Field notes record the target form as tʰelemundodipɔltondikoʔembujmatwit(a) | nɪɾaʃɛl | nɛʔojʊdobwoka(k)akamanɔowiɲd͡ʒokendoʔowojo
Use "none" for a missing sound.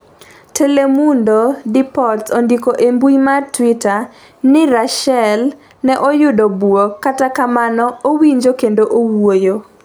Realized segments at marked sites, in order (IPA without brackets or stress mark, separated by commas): a, t